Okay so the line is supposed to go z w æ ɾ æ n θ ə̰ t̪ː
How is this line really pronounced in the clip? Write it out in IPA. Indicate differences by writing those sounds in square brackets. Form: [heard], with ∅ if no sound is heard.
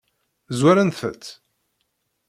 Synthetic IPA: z w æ ɾ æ n θ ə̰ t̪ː